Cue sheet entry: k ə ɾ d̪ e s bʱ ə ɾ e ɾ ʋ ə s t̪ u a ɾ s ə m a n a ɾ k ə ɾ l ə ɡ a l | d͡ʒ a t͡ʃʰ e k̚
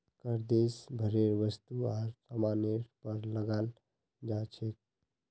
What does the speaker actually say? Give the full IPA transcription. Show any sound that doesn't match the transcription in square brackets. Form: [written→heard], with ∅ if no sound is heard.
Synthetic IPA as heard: k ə ɾ d̪ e s bʱ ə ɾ e ɾ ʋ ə s t̪ u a ɾ s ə m a n [a→e] ɾ [k→p] ə ɾ l ə ɡ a l | d͡ʒ a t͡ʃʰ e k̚

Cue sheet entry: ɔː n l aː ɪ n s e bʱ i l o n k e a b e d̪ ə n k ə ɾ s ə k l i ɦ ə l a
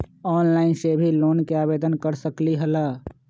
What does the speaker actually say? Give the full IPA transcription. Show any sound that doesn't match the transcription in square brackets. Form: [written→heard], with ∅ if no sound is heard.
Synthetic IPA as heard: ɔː n l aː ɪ n s e bʱ i l o n k e a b e d̪ ə n k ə ɾ s ə k l i ɦ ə l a

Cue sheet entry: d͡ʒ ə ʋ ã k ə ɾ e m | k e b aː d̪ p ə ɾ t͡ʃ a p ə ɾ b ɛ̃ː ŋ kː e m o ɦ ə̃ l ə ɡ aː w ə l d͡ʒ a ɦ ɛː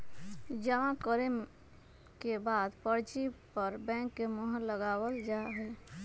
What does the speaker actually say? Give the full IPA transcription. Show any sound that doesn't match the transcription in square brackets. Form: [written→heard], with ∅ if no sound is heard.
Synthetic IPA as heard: d͡ʒ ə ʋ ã k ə ɾ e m | k e b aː d̪ p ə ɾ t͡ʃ [a→i] p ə ɾ b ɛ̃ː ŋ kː e m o ɦ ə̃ l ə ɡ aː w ə l d͡ʒ a ɦ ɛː

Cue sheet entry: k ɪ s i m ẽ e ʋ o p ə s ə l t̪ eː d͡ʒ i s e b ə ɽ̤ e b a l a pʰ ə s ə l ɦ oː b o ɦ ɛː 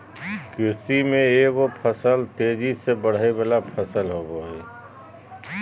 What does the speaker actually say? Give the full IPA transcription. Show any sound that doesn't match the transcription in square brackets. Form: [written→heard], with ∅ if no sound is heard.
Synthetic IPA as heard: k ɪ s i m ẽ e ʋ o [p→pʰ] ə s ə l t̪ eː d͡ʒ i s e b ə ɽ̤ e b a l a pʰ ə s ə l ɦ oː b o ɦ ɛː

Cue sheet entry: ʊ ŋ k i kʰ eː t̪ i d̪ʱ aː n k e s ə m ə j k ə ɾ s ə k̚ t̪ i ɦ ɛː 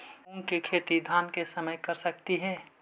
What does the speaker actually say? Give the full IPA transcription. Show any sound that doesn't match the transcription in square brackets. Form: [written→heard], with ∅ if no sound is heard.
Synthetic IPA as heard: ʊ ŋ k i kʰ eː t̪ i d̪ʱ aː n k e s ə m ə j k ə ɾ s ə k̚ t̪ i ɦ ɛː

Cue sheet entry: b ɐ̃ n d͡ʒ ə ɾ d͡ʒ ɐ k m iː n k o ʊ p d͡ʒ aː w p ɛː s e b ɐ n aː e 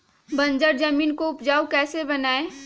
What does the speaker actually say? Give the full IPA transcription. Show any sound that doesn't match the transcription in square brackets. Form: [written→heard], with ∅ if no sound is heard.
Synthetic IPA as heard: b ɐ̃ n d͡ʒ ə ɾ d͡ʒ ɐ [k→∅] m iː n k o ʊ p d͡ʒ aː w [p→k] ɛː s e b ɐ n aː e

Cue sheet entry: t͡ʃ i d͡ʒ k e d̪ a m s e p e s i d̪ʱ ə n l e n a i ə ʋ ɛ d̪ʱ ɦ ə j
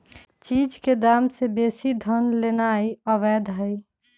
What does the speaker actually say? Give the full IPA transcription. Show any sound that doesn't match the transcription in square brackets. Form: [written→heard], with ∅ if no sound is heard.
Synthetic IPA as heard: t͡ʃ i d͡ʒ k e d̪ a m s e [p→b] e s i d̪ʱ ə n l e n a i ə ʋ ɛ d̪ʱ ɦ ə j

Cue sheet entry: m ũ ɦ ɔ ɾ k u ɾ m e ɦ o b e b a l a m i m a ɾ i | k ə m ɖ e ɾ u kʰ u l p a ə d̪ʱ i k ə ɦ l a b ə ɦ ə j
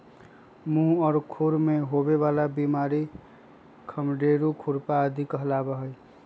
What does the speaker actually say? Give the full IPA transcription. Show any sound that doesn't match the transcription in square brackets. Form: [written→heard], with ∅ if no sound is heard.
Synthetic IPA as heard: m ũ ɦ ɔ ɾ [k→kʰ] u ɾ m e ɦ o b e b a l a [m→b] i m a ɾ i | [k→kʰ] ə m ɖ e ɾ u kʰ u [l→ɾ] p a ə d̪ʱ i k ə ɦ l a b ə ɦ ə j

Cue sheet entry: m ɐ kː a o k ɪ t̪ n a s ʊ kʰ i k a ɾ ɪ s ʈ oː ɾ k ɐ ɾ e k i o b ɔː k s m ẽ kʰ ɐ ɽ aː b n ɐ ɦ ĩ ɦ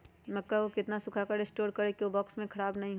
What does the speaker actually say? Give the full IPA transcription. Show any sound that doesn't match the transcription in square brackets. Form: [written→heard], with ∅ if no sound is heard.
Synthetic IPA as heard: m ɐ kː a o k ɪ t̪ n a s ʊ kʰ [i→a] k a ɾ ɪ s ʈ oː ɾ k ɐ ɾ e k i o b ɔː k s m ẽ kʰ ɐ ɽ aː b n ɐ ɦ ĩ ɦ

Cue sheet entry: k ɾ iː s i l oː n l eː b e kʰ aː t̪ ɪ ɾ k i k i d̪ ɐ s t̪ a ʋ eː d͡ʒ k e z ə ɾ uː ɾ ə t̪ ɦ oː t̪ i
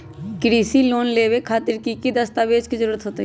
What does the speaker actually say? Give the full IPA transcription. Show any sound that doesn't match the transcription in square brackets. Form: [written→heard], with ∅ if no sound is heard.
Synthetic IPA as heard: k ɾ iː s i l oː n l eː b e kʰ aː t̪ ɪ ɾ k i k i d̪ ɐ s t̪ a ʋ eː d͡ʒ k [e→i] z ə ɾ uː ɾ ə t̪ ɦ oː t̪ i

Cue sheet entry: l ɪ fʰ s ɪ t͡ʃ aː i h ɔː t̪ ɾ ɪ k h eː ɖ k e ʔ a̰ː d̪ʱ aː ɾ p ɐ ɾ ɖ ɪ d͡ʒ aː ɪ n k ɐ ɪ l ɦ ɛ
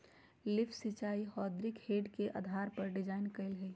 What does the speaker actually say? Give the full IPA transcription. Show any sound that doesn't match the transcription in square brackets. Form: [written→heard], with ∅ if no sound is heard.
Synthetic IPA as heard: l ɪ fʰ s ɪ t͡ʃ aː i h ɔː [t̪→d̪] ɾ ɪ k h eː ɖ k e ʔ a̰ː d̪ʱ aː ɾ p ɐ ɾ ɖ ɪ d͡ʒ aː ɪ n k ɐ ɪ l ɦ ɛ

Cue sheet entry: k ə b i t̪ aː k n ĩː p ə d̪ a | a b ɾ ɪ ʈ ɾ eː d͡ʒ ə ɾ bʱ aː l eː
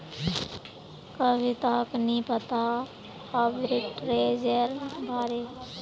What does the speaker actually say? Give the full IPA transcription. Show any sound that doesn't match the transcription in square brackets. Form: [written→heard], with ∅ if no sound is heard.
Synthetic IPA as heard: k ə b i t̪ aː k n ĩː p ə [d̪→t̪] a | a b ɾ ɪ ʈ ɾ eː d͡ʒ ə ɾ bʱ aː [l→ɾ] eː

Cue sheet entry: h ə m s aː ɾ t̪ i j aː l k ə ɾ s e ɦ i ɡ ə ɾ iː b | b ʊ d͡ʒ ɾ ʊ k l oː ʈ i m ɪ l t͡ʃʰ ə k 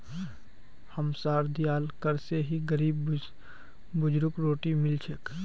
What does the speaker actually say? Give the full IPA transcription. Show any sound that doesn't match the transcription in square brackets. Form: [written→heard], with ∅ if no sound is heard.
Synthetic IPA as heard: h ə m s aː ɾ [t̪→d̪] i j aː l k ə ɾ s e ɦ i ɡ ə ɾ iː b | b ʊ d͡ʒ ɾ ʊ k [l→ɾ] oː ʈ i m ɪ l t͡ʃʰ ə k

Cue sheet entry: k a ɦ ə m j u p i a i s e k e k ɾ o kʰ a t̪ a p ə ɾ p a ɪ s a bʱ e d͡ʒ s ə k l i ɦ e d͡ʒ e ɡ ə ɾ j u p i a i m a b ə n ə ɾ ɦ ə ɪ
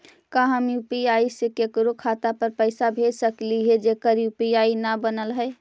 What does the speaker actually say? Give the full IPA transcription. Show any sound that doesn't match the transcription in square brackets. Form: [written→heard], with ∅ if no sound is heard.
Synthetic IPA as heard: k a ɦ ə m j u p i a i s e k e k ɾ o kʰ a t̪ a p ə ɾ p [a→ə] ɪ s a bʱ e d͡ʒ s ə k l i ɦ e d͡ʒ e [ɡ→k] ə ɾ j u p i a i [m→n] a b ə n ə [ɾ→l] ɦ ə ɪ

